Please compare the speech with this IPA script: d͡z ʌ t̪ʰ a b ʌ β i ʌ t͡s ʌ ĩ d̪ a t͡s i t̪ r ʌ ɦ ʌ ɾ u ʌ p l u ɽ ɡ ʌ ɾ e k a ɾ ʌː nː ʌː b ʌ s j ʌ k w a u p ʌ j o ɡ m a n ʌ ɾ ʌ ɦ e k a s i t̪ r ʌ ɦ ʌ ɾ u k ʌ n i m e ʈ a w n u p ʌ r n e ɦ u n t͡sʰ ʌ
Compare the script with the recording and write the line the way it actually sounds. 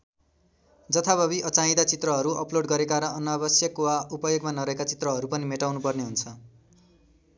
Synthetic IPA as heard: d͡z ʌ t̪ʰ a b ʌ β i ʌ t͡s a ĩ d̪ a t͡s i t̪ r ʌ ɦ ʌ ɾ u ʌ p l o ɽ ɡ ʌ ɾ e k a ɾ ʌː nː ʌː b ʌ s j ʌ k w a u p ʌ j o ɡ m a n ʌ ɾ ʌ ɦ e k a t͡s i t̪ r ʌ ɦ ʌ ɾ u p ʌ n i m e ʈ a w n u p ʌ r n e ɦ u n t͡sʰ ʌ